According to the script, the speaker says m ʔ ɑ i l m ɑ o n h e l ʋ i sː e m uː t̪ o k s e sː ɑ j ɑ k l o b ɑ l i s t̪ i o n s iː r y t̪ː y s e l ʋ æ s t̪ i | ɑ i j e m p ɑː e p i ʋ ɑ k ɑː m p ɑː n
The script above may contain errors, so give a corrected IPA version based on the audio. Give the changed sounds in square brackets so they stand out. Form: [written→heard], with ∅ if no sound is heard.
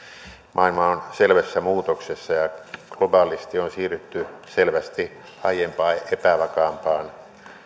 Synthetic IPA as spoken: m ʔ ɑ i l m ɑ o n [h→s] e l ʋ [i→æ] sː [e→æ] m uː t̪ o k s e sː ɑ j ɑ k l o b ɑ l i s t̪ i o n s iː r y t̪ː y s e l ʋ æ s t̪ i | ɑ i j e m p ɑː e p [i→æ] ʋ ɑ k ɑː m p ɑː n